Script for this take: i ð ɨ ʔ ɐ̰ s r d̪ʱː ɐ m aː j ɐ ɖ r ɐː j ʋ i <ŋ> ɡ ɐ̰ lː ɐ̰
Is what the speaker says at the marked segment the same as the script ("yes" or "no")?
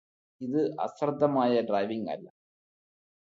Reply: yes